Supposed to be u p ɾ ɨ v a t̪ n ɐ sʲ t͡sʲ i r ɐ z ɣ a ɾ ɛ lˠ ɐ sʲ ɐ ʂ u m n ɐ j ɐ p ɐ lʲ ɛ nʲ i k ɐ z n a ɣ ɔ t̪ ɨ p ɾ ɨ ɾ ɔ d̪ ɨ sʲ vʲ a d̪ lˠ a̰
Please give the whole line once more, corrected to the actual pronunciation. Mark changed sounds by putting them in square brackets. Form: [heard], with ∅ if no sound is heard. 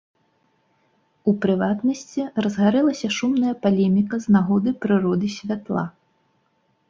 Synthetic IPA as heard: u p ɾ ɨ v a t̪ n ɐ sʲ t͡sʲ i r ɐ z ɣ a ɾ ɛ lˠ ɐ sʲ ɐ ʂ u m n ɐ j ɐ p [a] lʲ ɛ [mʲ] i k ɐ z n a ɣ ɔ [d̪] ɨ p ɾ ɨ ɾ ɔ d̪ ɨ sʲ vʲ a [t̪] lˠ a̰